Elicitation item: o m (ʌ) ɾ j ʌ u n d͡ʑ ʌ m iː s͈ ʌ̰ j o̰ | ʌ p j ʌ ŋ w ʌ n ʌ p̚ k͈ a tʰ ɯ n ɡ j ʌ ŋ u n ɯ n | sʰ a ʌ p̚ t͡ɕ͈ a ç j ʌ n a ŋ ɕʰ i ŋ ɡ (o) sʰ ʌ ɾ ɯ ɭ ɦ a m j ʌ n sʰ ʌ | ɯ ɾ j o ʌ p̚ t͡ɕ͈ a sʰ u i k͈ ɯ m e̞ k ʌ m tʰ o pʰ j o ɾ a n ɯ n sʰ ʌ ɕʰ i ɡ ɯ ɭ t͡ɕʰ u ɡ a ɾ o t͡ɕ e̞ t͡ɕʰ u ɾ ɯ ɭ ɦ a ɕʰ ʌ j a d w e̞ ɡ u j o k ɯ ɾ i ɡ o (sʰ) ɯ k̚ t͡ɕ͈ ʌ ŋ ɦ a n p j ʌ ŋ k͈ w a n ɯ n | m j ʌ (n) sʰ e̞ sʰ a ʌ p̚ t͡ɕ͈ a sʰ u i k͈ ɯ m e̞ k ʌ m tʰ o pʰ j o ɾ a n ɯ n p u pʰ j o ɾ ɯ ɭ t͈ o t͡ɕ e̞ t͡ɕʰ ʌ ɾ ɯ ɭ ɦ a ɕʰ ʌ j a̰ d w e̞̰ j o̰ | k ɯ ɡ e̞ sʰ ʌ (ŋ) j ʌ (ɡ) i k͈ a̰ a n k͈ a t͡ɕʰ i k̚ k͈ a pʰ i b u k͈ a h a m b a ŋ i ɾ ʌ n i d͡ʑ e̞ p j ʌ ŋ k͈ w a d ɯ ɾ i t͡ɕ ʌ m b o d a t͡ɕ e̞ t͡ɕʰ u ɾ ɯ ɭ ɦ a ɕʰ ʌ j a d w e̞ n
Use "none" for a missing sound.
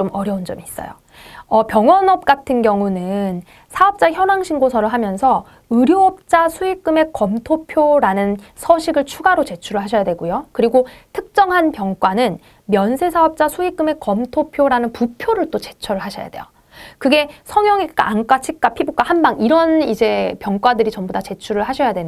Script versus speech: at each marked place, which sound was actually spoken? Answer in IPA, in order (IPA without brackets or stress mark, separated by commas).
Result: ʌ, o, tʰ, n, ŋ, ŋ